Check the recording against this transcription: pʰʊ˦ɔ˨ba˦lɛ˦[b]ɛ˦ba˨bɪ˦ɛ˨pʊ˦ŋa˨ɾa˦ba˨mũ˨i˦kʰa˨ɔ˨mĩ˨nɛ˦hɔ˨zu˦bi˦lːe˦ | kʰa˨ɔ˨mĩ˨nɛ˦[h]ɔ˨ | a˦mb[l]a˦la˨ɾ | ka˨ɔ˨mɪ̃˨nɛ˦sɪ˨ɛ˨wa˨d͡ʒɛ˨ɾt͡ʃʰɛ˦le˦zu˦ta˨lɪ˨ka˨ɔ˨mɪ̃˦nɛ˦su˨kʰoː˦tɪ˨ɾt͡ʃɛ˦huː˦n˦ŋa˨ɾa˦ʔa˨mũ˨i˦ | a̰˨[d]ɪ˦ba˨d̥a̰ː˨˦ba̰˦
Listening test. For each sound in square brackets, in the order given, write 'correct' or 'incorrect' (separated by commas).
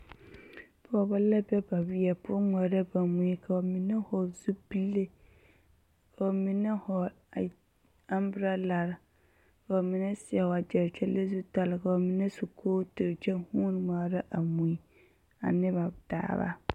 correct, correct, incorrect, incorrect